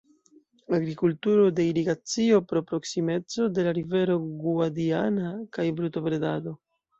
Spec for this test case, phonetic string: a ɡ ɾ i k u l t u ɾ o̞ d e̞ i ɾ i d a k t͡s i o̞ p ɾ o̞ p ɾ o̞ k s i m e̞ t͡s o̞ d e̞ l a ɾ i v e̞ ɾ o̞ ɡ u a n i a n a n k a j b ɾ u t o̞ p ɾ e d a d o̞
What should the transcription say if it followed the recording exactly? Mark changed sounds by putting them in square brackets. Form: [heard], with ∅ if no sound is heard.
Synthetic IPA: a ɡ ɾ i k u l t u ɾ o̞ d e̞ i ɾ i [ɡ] a [∅] t͡s i o̞ p ɾ o̞ p ɾ o̞ k s i m e̞ t͡s o̞ d e̞ l a ɾ i v e̞ ɾ o̞ ɡ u a [d] i a n a [∅] k a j b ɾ u t o̞ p ɾ e d a d o̞

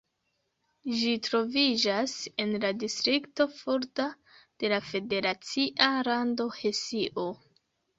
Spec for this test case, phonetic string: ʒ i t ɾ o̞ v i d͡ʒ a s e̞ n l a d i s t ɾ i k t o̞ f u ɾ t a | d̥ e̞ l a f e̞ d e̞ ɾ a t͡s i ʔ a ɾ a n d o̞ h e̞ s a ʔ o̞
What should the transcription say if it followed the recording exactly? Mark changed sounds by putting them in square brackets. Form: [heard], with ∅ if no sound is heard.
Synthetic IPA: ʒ i t ɾ o̞ v i d͡ʒ a s e̞ n l a d i s t ɾ i k t o̞ f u ɾ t a | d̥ e̞ l a f e̞ d e̞ ɾ a t͡s i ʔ a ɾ a n d o̞ h e̞ s [i] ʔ o̞

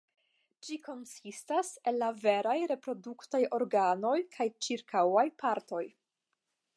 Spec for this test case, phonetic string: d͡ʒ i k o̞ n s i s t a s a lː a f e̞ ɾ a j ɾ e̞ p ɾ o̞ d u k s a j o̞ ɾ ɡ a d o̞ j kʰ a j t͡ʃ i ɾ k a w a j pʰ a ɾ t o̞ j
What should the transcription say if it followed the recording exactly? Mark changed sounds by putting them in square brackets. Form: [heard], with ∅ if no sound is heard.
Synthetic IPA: d͡ʒ i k o̞ n s i s t a s [e] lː a [v] e̞ ɾ a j ɾ e̞ p ɾ o̞ d u k [t] a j o̞ ɾ ɡ a [n] o̞ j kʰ a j t͡ʃ i ɾ k a w a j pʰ a ɾ t o̞ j

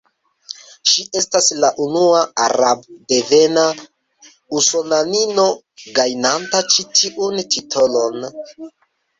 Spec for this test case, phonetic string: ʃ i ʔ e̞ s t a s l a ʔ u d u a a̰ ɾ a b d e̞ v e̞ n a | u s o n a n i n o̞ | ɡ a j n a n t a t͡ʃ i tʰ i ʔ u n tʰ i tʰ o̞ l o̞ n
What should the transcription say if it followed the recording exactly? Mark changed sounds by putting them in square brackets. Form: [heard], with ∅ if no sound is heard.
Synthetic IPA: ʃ i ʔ e̞ s t a s l a ʔ u [n] u a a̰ ɾ a b d e̞ v e̞ n a | u s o n a n i n o̞ | ɡ a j n a n t a t͡ʃ i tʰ i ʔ u n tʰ i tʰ o̞ l o̞ n

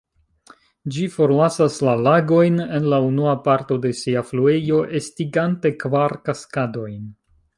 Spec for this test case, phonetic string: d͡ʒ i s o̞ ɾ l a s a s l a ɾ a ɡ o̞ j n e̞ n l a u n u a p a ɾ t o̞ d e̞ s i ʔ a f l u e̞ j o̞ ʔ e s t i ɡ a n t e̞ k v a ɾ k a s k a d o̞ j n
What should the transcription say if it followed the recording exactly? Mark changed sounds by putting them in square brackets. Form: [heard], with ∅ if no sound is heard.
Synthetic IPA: d͡ʒ i [f] o̞ ɾ l a s a s l a [l] a ɡ o̞ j n e̞ n l a u n u a p a ɾ t o̞ d e̞ s i [∅] a f l u e̞ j o̞ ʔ e s t i ɡ a n t e̞ k v a ɾ k a s k a d o̞ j n

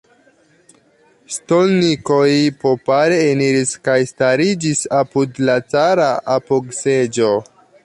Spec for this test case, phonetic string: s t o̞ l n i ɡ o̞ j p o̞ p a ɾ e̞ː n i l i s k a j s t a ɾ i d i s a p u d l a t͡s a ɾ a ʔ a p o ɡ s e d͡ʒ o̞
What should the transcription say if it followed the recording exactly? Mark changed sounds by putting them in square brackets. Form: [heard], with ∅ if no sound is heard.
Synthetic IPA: s t o̞ l n i [k] o̞ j p o̞ p a ɾ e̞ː n i [ɾ] i s k a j s t a ɾ i [d͡ʒ] i s a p u d l a t͡s a ɾ a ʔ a p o ɡ s e d͡ʒ o̞

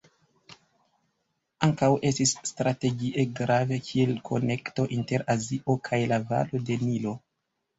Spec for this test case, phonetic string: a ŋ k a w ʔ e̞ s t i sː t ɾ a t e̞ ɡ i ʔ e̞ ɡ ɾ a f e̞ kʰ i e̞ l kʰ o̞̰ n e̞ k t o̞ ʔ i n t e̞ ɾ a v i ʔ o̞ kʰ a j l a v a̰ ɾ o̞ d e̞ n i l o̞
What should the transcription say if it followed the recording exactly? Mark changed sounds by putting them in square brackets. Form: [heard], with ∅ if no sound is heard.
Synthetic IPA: a ŋ k a w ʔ e̞ s t i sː t ɾ a t e̞ ɡ i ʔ e̞ ɡ ɾ a [v] e̞ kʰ i e̞ l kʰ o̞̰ n e̞ k t o̞ ʔ i n t e̞ ɾ a [z] i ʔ o̞ kʰ a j l a v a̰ [l] o̞ d e̞ n i l o̞

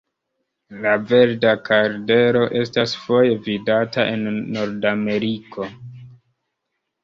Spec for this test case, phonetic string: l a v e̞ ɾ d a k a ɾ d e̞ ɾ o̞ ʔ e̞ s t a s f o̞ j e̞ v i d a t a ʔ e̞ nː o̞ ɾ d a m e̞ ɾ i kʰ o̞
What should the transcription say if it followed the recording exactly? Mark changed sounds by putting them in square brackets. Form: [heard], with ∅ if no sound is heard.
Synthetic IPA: l a v e̞ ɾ d a k a ɾ d e̞ ɾ o̞ ʔ e̞ s t a s f o̞ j e̞ v i d a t a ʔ e̞ nː o̞ ɾ d a m e̞ ɾ i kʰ o̞

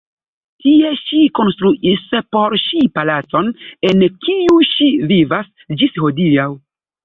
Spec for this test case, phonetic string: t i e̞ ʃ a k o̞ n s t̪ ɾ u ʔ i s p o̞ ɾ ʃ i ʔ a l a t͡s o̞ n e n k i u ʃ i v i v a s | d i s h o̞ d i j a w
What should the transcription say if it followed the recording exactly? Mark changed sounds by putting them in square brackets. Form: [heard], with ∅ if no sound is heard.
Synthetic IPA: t i e̞ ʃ [i] k o̞ n s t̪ ɾ u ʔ i s p o̞ ɾ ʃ i [p] a l a t͡s o̞ n e n k i u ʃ i v i v a s | [d͡ʒ] i s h o̞ d i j a w

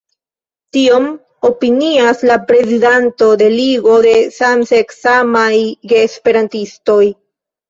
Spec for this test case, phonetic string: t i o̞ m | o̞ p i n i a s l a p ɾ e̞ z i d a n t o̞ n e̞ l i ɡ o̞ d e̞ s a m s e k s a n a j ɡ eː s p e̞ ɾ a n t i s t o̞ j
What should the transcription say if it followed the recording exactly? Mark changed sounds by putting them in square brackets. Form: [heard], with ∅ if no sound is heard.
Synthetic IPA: t i o̞ m | o̞ p i n i a s l a p ɾ e̞ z i d a n t o̞ [d] e̞ l i ɡ o̞ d e̞ s a m s e k s a [m] a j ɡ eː s p e̞ ɾ a n t i s t o̞ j

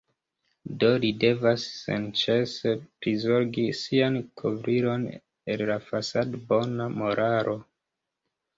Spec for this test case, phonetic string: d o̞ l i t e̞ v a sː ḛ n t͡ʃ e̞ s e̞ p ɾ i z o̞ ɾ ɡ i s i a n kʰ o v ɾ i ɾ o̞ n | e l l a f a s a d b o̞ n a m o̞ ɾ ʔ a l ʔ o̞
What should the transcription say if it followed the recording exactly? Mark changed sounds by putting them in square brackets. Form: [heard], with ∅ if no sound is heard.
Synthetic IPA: d o̞ l i [d] e̞ v a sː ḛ n t͡ʃ e̞ s e̞ p ɾ i z o̞ ɾ ɡ i s i a n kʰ o v ɾ i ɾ o̞ n | e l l a f a s a d b o̞ n a m o̞ ɾ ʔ a [ɾ] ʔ o̞

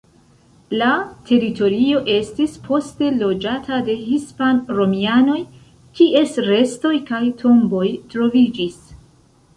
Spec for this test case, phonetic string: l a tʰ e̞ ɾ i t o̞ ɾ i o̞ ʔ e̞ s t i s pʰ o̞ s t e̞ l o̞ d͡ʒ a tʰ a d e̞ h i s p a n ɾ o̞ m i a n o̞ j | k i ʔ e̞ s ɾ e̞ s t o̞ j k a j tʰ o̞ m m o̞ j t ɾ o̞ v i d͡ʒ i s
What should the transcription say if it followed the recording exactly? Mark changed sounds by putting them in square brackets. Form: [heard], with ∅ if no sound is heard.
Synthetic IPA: l a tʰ e̞ ɾ i t o̞ ɾ i o̞ ʔ e̞ s t i s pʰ o̞ s t e̞ l o̞ d͡ʒ a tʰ a d e̞ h i s p a n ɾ o̞ m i a n o̞ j | k i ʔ e̞ s ɾ e̞ s t o̞ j k a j tʰ o̞ m [b] o̞ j t ɾ o̞ v i d͡ʒ i s

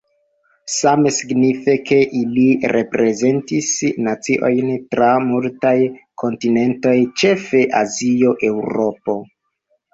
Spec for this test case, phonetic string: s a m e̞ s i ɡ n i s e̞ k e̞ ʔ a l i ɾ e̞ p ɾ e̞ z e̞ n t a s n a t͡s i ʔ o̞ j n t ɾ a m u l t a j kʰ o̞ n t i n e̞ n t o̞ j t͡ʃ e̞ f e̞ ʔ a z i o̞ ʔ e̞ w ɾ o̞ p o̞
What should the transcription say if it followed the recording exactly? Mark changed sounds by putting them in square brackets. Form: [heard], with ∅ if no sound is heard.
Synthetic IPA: s a m e̞ s i ɡ n i [f] e̞ k e̞ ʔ [i] l i ɾ e̞ p ɾ e̞ z e̞ n t [i] s n a t͡s i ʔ o̞ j n t ɾ a m u l t a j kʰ o̞ n t i n e̞ n t o̞ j t͡ʃ e̞ f e̞ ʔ a z i o̞ ʔ e̞ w ɾ o̞ p o̞

